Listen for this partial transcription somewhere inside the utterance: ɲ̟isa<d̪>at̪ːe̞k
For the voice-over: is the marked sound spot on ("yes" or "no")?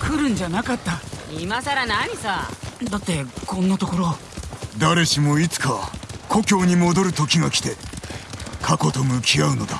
yes